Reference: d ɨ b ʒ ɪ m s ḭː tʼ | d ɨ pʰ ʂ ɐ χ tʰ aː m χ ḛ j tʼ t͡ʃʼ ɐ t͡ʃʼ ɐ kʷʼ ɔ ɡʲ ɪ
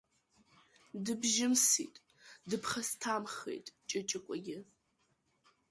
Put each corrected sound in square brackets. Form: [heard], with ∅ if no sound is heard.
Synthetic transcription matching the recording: d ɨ b ʒ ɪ m s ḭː tʼ | d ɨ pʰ [χ] ɐ [s] tʰ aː m χ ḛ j tʼ t͡ʃʼ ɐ t͡ʃʼ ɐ kʷʼ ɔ ɡʲ ɪ